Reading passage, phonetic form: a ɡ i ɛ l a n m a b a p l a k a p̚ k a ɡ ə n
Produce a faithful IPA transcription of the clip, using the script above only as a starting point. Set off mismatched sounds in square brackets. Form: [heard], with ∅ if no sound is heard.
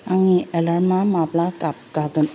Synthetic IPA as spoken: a [ŋ] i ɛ l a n m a [m] a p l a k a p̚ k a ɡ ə n